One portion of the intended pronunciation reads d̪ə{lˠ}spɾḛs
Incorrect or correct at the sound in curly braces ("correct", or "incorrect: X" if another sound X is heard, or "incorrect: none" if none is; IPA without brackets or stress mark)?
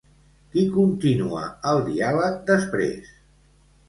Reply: incorrect: none